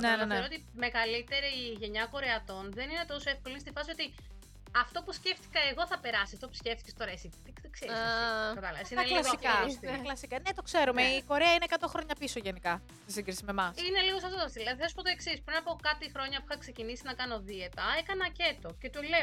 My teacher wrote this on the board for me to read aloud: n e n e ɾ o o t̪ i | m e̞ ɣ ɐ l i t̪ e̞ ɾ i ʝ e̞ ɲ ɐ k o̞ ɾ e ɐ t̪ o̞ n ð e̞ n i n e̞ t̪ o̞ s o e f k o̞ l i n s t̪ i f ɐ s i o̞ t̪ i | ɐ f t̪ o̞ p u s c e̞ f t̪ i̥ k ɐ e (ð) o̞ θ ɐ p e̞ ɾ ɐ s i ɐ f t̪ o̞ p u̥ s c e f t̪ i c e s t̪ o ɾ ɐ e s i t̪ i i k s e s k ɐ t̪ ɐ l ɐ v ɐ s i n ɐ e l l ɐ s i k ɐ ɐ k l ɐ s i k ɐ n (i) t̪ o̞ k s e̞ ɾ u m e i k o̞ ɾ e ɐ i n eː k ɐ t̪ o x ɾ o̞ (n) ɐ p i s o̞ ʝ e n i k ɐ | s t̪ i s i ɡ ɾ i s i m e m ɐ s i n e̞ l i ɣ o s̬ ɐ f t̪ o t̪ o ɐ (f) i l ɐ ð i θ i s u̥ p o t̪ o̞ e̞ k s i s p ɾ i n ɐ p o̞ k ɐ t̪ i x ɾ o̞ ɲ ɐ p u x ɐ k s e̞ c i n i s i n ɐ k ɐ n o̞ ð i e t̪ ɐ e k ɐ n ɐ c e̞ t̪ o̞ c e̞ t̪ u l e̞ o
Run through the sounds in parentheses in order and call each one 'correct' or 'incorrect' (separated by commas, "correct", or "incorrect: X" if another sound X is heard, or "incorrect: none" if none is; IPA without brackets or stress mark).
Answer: incorrect: ɣ, incorrect: e, incorrect: ɲ, incorrect: s